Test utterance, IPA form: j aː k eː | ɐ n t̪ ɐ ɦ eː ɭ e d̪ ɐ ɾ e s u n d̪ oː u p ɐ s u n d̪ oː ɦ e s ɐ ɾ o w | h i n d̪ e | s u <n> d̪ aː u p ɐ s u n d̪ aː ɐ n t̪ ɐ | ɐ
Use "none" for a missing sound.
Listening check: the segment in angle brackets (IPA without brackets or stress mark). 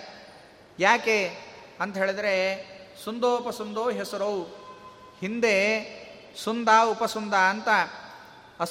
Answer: n